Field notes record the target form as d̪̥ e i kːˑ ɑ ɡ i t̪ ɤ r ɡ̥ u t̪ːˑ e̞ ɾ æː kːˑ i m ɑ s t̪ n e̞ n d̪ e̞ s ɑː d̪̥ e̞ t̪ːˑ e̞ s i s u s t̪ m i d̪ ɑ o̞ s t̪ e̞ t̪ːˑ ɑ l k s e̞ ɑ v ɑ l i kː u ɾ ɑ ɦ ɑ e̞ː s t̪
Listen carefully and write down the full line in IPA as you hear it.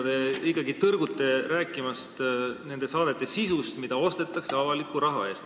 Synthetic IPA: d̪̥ e i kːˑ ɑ ɡ i t̪ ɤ r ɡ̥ u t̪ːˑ e̞ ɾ æː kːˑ i m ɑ s t̪ n e̞ n d̪ e̞ s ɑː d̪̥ e̞ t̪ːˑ e̞ s i s u s t̪ m i d̪ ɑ o̞ s t̪ e̞ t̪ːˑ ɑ k s e̞ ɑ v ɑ l i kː u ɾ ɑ ɦ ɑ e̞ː s t̪